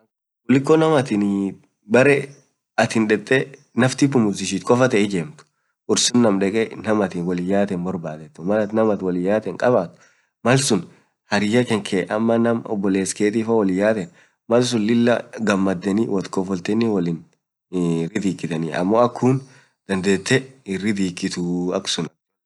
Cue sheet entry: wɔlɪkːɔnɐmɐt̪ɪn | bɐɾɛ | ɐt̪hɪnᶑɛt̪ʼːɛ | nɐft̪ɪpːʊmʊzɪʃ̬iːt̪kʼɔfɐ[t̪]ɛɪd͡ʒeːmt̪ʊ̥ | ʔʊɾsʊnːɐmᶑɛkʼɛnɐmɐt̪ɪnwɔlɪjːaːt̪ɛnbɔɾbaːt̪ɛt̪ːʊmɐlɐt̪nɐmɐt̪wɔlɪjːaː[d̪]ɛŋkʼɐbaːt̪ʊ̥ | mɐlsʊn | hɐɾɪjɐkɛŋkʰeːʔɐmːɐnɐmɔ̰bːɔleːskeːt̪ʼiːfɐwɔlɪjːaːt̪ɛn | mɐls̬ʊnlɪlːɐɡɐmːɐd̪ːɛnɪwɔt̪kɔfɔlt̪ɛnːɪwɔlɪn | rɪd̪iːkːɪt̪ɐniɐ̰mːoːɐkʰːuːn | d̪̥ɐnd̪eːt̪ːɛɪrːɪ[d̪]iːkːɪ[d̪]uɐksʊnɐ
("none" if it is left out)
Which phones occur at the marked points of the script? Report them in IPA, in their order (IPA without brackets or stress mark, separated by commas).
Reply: t̪, t̪, d̪, t̪